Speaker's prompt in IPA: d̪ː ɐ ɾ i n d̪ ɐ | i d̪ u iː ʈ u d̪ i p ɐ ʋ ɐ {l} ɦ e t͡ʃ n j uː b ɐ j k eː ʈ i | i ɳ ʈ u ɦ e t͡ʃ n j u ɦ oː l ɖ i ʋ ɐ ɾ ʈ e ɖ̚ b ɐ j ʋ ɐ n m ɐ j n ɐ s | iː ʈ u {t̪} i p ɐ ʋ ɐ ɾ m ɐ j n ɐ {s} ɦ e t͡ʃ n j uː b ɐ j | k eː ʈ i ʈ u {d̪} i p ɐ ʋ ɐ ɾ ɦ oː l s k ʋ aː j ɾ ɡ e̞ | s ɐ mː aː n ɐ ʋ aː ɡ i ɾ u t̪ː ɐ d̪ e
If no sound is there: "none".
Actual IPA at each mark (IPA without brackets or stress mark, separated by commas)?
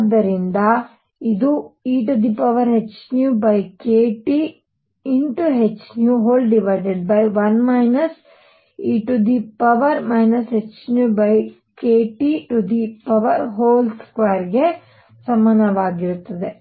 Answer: ɾ, d̪, s, d̪